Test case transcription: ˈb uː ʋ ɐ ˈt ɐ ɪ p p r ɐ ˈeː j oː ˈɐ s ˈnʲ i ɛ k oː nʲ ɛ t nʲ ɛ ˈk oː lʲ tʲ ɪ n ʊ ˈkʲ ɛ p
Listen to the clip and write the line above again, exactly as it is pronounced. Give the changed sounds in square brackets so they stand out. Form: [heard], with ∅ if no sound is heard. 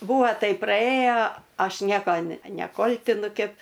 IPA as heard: ˈb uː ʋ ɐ ˈt ɐ ɪ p p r ɐ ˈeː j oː ˈɐ [ʃ] ˈnʲ i ɛ k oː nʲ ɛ [∅] nʲ ɛ ˈk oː lʲ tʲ ɪ n ʊ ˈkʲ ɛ p